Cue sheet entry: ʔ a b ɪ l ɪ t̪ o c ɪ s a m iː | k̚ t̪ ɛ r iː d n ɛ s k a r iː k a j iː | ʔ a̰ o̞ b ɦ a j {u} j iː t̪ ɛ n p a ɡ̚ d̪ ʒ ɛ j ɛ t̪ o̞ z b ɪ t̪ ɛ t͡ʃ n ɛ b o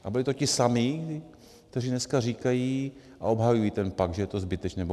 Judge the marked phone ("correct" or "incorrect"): correct